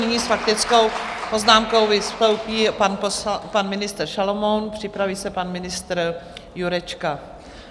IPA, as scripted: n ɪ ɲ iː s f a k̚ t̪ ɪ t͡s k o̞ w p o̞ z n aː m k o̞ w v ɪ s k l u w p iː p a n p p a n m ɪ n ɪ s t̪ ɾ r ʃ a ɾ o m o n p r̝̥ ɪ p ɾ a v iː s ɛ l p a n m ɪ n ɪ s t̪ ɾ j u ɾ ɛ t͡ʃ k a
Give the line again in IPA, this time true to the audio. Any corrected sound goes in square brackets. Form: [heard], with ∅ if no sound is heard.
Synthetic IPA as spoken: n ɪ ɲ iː s f a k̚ t̪ ɪ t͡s k o̞ w p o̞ z n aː m k o̞ w v ɪ s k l [o] w p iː p a n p p a n m ɪ n ɪ s t̪ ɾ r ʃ a [l] o m o n p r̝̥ ɪ p ɾ a v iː s ɛ [∅] p a n m ɪ n ɪ s t̪ ɾ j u ɾ ɛ t͡ʃ k a